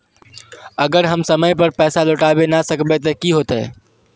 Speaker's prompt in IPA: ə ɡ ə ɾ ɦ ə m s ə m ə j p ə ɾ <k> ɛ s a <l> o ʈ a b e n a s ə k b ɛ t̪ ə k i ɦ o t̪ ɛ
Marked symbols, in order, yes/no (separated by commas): no, yes